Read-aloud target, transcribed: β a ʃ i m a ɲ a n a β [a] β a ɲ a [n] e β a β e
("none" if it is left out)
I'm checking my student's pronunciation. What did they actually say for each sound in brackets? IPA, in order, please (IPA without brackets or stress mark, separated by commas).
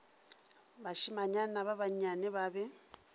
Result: a, n